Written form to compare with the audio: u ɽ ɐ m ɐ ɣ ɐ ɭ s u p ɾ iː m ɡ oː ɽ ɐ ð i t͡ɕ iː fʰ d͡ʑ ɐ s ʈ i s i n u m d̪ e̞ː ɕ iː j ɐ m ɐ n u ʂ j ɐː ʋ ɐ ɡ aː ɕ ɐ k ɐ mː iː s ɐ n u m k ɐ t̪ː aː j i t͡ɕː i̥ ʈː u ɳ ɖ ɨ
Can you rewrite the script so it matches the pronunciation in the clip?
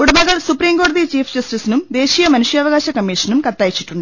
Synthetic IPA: u ɽ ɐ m ɐ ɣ ɐ ɭ s u p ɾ iː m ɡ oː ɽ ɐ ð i t͡ɕ iː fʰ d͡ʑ ɐ s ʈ i s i n u m d̪ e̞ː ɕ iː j ɐ m ɐ n u ʂ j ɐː ʋ ɐ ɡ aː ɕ ɐ k ɐ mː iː ʂ ɐ n u m k ɐ t̪ː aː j i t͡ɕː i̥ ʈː u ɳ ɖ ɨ